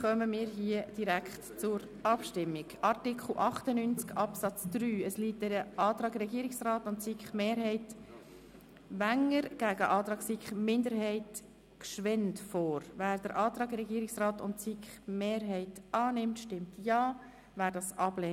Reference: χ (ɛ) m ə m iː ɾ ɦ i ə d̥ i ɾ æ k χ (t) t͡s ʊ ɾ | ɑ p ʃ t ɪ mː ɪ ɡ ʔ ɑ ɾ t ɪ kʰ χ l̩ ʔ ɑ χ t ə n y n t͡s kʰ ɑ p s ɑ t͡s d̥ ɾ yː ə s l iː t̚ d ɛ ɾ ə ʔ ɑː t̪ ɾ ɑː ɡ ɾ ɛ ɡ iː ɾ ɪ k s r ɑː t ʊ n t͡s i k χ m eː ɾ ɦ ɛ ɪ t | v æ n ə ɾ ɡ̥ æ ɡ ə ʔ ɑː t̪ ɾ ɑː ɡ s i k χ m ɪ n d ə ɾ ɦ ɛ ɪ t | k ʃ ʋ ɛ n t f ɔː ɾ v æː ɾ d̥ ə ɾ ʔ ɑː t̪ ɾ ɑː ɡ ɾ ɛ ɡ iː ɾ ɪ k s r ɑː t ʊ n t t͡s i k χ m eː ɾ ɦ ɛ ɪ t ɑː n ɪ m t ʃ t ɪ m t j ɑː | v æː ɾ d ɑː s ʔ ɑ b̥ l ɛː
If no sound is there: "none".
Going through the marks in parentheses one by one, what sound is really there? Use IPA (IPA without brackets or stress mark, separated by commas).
œ, t